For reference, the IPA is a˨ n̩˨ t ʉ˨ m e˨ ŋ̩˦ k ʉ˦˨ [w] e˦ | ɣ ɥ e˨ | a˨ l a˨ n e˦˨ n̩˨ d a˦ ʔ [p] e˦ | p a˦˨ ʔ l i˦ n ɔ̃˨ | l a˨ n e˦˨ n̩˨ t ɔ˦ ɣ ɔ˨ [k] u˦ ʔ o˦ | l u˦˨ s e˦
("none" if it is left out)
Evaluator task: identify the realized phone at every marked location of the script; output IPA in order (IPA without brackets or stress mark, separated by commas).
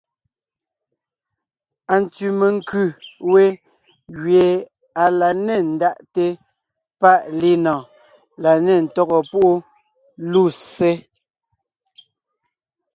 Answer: w, t, p